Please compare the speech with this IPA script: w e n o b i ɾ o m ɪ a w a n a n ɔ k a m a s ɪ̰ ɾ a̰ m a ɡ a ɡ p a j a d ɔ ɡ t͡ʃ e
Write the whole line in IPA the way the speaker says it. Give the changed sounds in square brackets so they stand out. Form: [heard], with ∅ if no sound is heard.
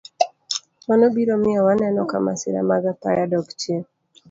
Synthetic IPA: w [a] n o b i ɾ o m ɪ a w a n [ɛ] n ɔ k a m a s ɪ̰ ɾ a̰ m a ɡ a [∅] p a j a d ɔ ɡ t͡ʃ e